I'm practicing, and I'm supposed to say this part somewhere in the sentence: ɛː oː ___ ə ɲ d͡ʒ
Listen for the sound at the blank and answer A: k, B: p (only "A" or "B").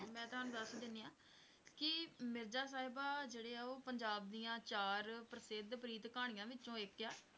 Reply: B